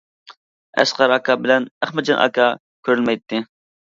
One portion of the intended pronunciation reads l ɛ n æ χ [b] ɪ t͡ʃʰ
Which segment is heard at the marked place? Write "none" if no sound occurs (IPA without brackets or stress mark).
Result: m